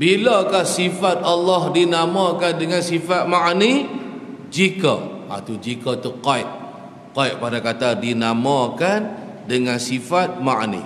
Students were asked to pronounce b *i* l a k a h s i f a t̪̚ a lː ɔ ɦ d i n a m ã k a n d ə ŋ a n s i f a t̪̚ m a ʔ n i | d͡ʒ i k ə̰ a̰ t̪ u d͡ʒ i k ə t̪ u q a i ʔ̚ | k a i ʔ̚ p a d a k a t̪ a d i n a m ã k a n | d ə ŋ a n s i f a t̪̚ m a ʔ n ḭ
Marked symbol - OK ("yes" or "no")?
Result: yes